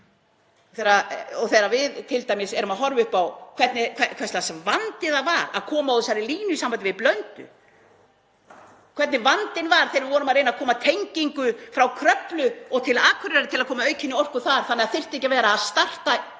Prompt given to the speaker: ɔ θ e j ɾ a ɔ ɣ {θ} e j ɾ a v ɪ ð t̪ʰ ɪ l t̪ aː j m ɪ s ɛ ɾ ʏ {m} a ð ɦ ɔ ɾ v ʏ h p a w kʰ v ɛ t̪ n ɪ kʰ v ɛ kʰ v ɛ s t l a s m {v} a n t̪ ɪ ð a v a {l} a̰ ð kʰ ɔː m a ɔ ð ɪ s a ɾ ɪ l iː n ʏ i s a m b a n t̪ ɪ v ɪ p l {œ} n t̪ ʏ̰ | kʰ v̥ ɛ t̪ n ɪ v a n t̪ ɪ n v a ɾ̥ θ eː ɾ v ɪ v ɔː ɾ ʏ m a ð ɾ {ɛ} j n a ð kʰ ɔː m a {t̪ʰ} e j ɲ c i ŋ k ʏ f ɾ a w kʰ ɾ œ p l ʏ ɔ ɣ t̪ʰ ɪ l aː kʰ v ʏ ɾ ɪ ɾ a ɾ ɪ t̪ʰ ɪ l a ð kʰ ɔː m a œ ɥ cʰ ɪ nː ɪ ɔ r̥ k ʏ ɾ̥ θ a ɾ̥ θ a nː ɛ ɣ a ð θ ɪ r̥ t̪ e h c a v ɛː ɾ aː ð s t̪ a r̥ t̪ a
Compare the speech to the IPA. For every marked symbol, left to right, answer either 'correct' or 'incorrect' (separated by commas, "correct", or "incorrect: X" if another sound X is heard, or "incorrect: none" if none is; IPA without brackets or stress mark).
correct, correct, correct, incorrect: ɾ, correct, incorrect: e, correct